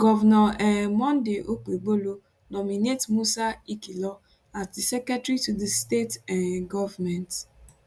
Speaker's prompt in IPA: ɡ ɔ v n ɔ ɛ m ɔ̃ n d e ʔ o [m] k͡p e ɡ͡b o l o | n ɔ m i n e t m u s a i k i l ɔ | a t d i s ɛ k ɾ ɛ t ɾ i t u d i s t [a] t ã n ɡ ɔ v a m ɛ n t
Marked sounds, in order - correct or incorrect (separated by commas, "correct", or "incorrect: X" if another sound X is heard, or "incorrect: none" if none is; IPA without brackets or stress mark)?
incorrect: none, incorrect: e